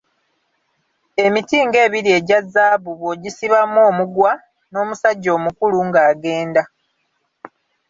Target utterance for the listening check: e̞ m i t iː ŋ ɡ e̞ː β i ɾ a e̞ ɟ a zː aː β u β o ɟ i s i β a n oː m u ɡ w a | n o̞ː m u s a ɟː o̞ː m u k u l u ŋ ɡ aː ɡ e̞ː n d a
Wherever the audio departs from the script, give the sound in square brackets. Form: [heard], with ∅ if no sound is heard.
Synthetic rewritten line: e̞ m i t iː ŋ ɡ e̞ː β i ɾ [i] e̞ ɟ a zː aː β u β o ɟ i s i β a [m] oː m u ɡ w a | n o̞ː m u s a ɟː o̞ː m u k u l u ŋ ɡ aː ɡ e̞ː n d a

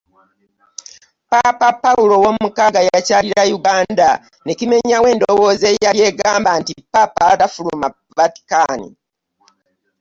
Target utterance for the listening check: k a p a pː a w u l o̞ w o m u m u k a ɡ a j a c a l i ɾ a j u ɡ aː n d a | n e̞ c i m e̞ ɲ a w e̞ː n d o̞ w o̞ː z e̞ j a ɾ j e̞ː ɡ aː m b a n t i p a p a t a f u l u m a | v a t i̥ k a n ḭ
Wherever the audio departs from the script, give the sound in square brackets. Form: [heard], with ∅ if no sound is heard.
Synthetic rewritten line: [p] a p a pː a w u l o̞ w o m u m u k a ɡ a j a c a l i ɾ a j u ɡ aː n d a | n e̞ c i m e̞ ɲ a w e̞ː n d o̞ w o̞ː z e̞ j a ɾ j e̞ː ɡ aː m b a n t i p a p a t a f u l u m a | v a t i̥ k a n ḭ

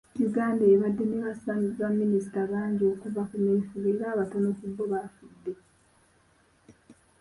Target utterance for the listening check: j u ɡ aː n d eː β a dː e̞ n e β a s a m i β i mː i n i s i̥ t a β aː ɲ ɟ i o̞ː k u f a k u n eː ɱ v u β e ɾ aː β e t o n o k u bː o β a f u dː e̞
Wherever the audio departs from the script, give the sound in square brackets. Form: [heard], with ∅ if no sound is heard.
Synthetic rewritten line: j u ɡ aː n d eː β a dː e̞ n e β a s a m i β [a] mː i n i s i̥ t a β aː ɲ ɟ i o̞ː k u [v] a k u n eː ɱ [f] u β e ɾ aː β [a] t o n o k u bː o β a f u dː e̞

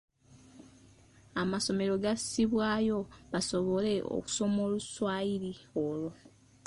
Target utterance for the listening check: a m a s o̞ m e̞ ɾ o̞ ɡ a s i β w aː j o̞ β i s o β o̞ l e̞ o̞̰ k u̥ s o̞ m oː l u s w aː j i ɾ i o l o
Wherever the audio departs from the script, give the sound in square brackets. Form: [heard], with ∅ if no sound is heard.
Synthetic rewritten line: a m a s o̞ m e̞ ɾ o̞ ɡ a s i β w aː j o̞ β [a] s o β o̞ l e̞ o̞̰ k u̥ s o̞ m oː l u s w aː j i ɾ i o l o

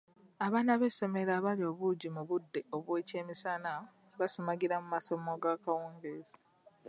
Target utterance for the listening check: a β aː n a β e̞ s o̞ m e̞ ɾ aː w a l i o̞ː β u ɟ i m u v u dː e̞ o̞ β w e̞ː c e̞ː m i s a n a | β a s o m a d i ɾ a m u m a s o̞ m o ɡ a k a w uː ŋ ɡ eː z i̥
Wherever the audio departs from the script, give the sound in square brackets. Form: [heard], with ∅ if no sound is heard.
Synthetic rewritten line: a β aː n a β e̞ s o̞ m e̞ ɾ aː [β] a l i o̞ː β u ɟ i m u [β] u dː e̞ o̞ β w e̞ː c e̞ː m i s a n a | β a s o m a [ɡ] i ɾ a m u m a s o̞ m o ɡ a k a w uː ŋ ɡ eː z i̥

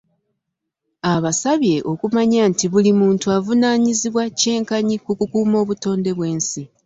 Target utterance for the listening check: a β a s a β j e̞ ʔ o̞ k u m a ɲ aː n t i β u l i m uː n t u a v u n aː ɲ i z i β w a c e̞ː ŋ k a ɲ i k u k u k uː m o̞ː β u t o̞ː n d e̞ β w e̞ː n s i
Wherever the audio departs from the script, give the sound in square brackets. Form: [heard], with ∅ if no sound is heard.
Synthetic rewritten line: a β a s a β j e̞ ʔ o̞ k u m a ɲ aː n t i β u l i m uː n t u a v u n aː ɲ i z i β w a c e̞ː ŋ k a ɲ i k u k u k uː m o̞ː β u t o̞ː n d e̞ β w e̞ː n s i

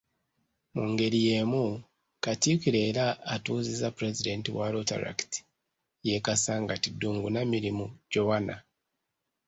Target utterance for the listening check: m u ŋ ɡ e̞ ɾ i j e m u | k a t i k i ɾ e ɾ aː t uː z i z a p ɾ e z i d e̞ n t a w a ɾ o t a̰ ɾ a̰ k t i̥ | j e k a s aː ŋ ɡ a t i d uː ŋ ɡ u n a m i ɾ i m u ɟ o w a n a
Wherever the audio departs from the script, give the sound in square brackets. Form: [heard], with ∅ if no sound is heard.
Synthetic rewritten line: m u ŋ ɡ e̞ ɾ i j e m u | k a t i k i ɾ e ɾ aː t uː z i z a p ɾ e z i d e̞ n t [i] w a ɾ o t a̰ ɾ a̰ k t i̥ | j e k a s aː ŋ ɡ a t i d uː ŋ ɡ u n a m i ɾ i m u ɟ o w a n a

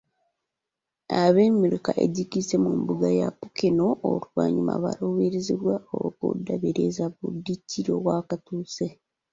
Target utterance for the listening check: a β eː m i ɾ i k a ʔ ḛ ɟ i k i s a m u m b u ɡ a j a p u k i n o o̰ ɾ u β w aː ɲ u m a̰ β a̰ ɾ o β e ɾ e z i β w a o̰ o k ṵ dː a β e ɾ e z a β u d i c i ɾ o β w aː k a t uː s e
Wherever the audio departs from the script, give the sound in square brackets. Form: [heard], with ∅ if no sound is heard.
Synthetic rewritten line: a β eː m i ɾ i k a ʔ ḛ ɟ i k i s [e] m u m b u ɡ a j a p u k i n o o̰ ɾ u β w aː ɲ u m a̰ β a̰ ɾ o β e ɾ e z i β w a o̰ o k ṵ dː a β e ɾ e z a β u d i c i ɾ o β w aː k a t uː s e

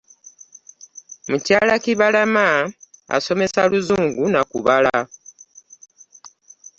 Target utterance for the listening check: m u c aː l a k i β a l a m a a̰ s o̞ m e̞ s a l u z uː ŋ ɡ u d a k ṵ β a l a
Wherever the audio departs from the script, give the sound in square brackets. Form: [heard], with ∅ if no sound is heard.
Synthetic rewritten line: m u c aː l a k i β a l a m a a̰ s o̞ m e̞ s a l u z uː ŋ ɡ u [n] a k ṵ β a l a

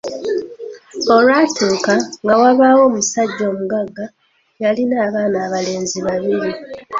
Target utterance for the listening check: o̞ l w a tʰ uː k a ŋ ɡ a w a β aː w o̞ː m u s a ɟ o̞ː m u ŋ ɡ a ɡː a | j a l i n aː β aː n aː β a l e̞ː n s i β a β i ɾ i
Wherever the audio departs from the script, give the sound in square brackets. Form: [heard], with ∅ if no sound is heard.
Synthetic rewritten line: o̞ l w a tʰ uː k a ŋ ɡ a w a β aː w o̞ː m u s a [ɟː] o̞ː m u [∅] ɡ a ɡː a | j a l i n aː β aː n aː β a l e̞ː n [z] i β a β i ɾ i

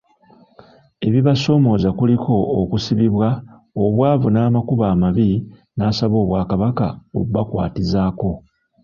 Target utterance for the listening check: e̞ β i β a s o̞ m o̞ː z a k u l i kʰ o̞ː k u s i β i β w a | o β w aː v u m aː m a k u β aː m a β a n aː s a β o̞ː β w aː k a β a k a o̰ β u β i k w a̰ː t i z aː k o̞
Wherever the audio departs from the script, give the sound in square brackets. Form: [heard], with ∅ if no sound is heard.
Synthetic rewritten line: e̞ β i β a s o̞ m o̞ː z a k u l i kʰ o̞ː k u s i β i β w a | o β w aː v u [n] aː m a k u β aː m a β [i] n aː s a β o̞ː β w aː k a β a k a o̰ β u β [a] k w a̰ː t i z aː k o̞

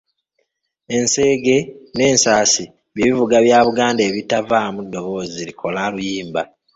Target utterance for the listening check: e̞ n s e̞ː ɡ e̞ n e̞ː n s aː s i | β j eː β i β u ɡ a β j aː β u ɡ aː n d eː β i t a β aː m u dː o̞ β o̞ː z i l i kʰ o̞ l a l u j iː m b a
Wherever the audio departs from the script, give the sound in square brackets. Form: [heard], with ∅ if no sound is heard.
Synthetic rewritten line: e̞ n s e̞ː ɡ e̞ n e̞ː n s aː s i | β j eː β i [v] u ɡ a β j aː β u ɡ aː n d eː β i t a [v] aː m u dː o̞ β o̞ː z i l i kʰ o̞ l a l u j iː m b a

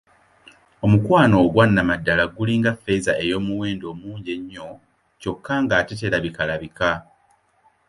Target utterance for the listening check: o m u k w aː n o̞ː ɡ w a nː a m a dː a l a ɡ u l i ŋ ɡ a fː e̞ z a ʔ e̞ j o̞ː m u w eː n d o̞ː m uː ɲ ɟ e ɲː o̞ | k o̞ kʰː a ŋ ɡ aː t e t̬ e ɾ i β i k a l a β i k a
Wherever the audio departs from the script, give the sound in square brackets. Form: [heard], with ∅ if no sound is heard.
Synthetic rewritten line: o m u k w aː n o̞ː ɡ w a nː a m a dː a l a ɡ u l i ŋ ɡ a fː e̞ z a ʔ e̞ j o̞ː m u w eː n d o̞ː m uː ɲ ɟ e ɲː o̞ | [c] o̞ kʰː a ŋ ɡ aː t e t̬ e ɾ [a] β i k a l a β i k a

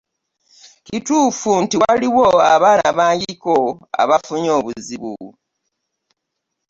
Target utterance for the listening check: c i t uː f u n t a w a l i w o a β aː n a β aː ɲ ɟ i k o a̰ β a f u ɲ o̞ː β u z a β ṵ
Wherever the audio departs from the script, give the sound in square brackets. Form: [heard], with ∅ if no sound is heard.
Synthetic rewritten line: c i t uː f u n t [i] w a l i w o a β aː n a β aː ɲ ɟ i k o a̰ β a f u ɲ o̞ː β u z [i] β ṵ

